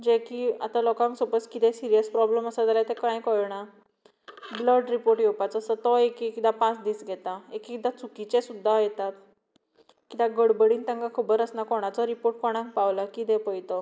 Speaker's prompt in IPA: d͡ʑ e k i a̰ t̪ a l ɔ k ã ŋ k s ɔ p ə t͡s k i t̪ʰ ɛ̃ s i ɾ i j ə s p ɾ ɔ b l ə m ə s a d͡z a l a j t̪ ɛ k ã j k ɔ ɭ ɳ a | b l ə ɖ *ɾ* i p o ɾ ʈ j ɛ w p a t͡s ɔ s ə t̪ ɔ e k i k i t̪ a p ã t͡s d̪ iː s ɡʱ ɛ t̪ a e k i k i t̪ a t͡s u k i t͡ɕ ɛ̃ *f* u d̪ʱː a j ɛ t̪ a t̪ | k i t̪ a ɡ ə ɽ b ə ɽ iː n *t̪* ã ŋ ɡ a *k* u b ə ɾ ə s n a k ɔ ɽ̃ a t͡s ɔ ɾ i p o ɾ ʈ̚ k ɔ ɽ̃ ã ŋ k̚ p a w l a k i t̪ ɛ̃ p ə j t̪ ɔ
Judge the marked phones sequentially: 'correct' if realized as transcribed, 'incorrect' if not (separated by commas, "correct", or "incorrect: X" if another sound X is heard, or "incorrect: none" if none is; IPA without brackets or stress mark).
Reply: correct, incorrect: s, correct, incorrect: kʰ